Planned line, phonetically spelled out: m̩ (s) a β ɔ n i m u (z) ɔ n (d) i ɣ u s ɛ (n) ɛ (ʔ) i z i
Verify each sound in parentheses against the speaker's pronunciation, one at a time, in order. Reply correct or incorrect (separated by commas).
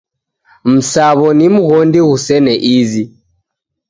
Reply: correct, incorrect, correct, correct, correct